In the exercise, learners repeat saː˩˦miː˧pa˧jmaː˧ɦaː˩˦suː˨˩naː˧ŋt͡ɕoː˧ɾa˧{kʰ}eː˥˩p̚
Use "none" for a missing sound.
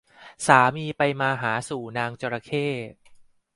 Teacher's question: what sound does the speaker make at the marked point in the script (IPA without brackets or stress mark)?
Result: kʰ